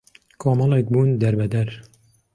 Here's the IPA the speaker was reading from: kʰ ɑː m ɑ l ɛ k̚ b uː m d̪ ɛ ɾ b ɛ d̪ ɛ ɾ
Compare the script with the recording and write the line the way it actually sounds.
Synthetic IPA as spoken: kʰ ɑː m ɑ l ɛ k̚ b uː n d̪ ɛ ɾ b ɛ d̪ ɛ ɾ